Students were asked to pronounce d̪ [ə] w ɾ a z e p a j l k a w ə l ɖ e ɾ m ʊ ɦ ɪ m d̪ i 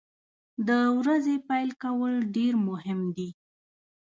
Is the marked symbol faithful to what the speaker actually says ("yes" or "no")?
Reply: yes